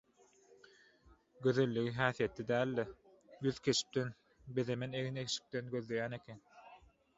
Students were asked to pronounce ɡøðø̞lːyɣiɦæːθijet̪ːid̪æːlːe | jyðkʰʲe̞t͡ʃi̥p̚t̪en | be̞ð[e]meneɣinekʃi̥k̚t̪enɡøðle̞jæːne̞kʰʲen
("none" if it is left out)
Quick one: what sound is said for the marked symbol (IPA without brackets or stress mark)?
e